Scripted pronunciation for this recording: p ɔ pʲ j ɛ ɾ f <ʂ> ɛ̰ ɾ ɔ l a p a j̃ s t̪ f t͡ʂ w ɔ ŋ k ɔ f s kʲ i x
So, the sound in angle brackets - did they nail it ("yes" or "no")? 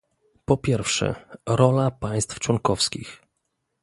yes